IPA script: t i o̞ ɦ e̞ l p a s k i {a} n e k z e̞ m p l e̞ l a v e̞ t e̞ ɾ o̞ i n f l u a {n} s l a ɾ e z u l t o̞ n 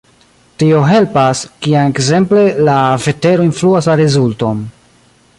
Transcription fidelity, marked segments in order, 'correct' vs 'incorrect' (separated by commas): correct, incorrect